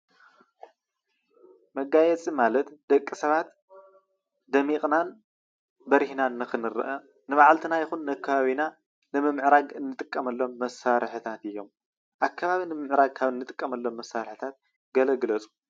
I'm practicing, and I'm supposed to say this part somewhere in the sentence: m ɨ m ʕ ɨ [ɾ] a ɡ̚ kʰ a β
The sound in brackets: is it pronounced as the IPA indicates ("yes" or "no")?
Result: yes